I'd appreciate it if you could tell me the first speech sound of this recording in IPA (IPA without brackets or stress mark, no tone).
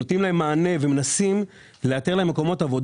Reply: o